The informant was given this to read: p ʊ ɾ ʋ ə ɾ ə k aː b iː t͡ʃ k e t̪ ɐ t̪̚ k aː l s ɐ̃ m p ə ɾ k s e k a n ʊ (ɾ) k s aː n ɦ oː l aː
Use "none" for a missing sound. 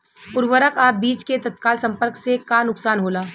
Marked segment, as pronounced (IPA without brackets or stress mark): none